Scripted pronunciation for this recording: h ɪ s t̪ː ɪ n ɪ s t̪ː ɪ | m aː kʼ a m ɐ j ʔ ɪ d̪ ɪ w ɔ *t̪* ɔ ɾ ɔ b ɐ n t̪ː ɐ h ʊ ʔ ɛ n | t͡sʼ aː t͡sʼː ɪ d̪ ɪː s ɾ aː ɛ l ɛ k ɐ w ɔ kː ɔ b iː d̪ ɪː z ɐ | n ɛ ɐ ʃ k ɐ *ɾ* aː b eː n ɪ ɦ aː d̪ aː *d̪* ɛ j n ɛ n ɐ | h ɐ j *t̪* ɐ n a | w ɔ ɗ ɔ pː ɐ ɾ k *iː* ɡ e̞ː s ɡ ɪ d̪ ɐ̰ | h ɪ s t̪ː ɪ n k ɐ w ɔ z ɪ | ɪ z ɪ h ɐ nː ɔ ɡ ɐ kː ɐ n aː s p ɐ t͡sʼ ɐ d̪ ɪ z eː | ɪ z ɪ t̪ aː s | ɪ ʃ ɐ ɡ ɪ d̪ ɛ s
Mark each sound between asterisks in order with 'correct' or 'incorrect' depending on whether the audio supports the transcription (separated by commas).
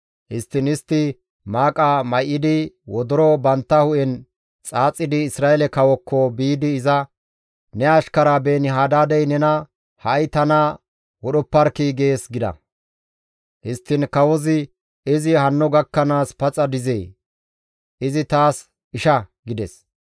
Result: incorrect, correct, correct, correct, correct